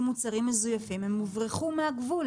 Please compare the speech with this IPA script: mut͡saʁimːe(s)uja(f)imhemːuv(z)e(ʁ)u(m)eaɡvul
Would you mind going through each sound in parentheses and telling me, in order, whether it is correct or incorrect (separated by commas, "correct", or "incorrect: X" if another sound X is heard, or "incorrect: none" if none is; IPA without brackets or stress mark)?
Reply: incorrect: z, correct, incorrect: ʁ, incorrect: χ, correct